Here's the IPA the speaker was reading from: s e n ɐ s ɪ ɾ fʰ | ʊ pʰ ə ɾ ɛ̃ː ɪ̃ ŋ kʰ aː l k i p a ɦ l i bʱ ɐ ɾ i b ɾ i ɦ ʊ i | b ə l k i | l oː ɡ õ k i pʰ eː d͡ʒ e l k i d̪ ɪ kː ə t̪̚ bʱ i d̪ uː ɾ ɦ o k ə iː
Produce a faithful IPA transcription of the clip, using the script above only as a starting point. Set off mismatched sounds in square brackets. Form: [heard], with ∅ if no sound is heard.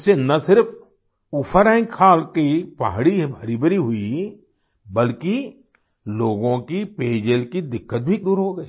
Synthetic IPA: s e n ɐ s ɪ ɾ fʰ | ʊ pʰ ə ɾ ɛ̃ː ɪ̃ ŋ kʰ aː l k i p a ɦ [ɽ] i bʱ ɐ ɾ i b ɾ i ɦ ʊ i | b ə l k i | l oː ɡ õ k i [p] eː d͡ʒ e l k i d̪ ɪ kː ə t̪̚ bʱ i d̪ uː ɾ ɦ o [ɡ] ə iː